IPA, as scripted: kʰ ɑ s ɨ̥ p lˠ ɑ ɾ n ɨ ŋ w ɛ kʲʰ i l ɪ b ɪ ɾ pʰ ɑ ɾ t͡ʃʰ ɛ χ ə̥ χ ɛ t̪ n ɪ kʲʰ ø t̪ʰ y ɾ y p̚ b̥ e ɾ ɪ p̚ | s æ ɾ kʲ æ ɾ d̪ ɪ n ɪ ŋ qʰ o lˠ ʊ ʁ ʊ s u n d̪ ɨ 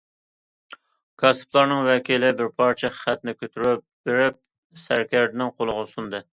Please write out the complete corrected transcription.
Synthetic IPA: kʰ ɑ s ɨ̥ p lˠ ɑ ɾ n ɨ ŋ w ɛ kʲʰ i l ɪ b ɪ ɾ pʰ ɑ ɾ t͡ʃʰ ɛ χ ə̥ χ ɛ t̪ n ɪ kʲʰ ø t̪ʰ y ɾ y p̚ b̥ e ɾ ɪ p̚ | s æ ɾ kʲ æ ɾ d̪ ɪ n ɪ ŋ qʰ o lˠ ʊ ʁ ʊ s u n d̪ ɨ